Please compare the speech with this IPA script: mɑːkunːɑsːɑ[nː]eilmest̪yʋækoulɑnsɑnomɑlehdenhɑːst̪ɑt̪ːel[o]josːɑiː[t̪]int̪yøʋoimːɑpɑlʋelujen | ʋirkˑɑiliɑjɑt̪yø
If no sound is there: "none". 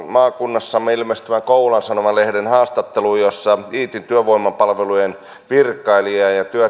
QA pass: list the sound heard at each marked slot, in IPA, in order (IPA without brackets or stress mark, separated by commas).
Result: mː, u, t̪